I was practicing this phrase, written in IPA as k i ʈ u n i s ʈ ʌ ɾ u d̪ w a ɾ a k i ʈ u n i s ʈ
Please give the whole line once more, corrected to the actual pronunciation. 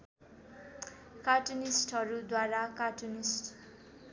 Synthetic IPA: k a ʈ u n i s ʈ ʌ ɾ u d̪ w a ɾ a k a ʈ u n i s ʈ